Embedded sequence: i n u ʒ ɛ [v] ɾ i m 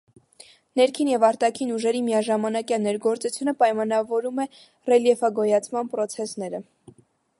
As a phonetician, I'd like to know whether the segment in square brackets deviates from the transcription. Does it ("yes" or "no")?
yes